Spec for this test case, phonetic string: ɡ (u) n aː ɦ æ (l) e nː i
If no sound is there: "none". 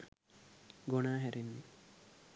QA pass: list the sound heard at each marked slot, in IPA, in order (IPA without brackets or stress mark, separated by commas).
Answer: o, ɾ